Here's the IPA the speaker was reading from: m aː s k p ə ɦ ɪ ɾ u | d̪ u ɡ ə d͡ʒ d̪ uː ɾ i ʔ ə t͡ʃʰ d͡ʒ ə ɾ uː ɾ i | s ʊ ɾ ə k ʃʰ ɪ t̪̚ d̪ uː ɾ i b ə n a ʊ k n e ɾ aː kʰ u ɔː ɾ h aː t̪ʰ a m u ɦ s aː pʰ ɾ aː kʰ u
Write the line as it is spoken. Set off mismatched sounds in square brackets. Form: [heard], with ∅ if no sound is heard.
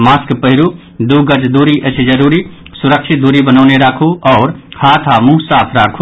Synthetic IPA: m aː s k p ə ɦ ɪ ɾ u | d̪ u ɡ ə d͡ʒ d̪ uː ɾ i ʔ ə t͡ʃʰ d͡ʒ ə ɾ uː ɾ i | s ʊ ɾ ə k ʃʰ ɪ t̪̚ d̪ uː ɾ i b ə n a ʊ [∅] n e ɾ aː kʰ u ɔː ɾ h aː t̪ʰ a m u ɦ s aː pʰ ɾ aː kʰ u